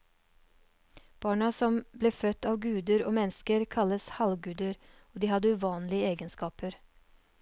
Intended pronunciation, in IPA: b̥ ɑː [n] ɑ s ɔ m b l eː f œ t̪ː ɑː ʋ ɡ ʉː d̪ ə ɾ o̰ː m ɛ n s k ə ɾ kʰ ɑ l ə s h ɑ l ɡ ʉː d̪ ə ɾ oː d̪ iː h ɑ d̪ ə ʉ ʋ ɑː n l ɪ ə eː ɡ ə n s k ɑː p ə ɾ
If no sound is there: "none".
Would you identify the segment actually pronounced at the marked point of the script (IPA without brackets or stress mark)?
ɳ